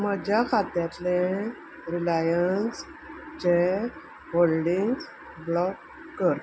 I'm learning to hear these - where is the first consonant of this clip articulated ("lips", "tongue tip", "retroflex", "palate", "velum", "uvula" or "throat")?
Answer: lips